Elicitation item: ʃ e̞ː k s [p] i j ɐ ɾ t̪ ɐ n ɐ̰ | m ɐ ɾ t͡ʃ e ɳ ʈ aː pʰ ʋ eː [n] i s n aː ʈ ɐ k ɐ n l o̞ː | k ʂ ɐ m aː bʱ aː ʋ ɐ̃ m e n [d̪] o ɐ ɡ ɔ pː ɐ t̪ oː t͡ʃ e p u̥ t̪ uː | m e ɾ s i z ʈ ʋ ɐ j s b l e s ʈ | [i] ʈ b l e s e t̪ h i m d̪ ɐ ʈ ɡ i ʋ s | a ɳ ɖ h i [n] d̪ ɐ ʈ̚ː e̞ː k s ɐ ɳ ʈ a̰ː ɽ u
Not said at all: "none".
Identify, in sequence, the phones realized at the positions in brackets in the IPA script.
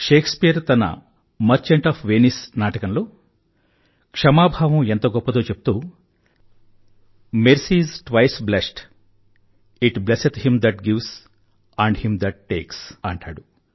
p, n, t̪, i, m

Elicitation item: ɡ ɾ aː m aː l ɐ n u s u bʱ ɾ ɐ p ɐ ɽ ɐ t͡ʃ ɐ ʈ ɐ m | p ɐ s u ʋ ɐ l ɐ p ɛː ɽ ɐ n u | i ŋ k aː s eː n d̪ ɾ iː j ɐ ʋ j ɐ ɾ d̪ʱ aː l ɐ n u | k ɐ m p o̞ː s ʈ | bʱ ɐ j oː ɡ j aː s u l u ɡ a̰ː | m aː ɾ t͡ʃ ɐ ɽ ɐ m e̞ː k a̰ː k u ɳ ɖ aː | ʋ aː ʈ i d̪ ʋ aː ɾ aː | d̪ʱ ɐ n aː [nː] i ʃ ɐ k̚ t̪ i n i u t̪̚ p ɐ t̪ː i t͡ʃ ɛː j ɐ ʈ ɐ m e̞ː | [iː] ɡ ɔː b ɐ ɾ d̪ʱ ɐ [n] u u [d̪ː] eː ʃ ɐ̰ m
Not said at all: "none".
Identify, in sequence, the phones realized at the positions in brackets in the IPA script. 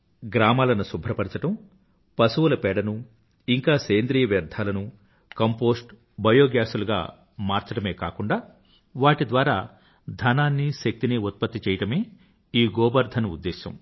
nː, iː, n, d̪ː

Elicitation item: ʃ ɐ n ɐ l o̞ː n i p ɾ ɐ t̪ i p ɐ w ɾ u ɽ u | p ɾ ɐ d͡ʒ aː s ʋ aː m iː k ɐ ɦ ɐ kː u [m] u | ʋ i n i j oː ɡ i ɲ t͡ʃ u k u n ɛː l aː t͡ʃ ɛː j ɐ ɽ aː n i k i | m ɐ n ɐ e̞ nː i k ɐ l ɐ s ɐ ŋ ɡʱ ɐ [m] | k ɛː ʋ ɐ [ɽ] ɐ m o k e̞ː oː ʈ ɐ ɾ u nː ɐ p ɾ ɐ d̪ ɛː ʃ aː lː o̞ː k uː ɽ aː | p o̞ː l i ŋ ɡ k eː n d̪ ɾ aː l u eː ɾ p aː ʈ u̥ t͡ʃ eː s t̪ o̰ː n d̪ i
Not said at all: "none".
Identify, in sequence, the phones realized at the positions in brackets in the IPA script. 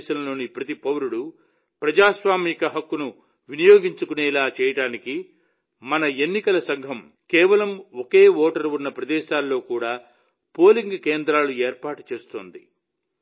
n, m, l

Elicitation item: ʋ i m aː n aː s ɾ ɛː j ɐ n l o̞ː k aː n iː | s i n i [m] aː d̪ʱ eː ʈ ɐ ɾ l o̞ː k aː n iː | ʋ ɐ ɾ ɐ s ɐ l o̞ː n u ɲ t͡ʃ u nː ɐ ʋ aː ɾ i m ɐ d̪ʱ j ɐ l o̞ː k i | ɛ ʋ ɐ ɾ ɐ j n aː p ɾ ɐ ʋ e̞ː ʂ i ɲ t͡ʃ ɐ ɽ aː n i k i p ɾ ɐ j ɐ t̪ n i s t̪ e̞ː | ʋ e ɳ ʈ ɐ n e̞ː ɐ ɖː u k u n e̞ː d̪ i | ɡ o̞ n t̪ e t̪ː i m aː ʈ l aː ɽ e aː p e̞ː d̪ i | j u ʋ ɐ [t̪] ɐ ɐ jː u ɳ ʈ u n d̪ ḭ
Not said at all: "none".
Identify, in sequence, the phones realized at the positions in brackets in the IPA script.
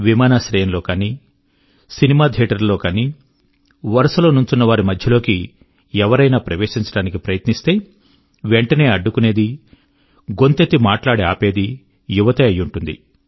m, t̪

